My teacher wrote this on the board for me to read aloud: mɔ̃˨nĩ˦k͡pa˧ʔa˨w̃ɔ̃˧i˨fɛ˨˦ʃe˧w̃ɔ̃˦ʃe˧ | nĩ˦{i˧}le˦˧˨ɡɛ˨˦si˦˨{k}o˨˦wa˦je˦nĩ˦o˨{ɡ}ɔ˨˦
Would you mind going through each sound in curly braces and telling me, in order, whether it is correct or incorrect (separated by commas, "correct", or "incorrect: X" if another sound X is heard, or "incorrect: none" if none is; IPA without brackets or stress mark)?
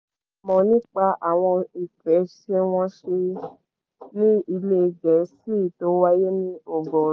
correct, incorrect: t, correct